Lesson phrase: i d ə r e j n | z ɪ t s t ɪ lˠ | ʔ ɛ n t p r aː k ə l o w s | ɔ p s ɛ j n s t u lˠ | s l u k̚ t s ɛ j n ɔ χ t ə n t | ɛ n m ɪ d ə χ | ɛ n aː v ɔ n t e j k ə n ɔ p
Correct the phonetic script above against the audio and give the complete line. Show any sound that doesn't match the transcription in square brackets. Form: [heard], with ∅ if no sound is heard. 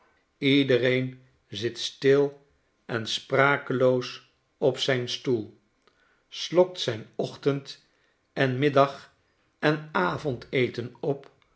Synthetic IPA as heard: i d ə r e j n | z ɪ t s t ɪ lˠ | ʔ ɛ n [s] p r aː k ə l o w s | ɔ p s ɛ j n s t u lˠ | s l [ɔ] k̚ t s ɛ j n ɔ χ t ə n t | ɛ n m ɪ d [ɑ] χ | ɛ n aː v ɔ n t e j [t] ə n ɔ p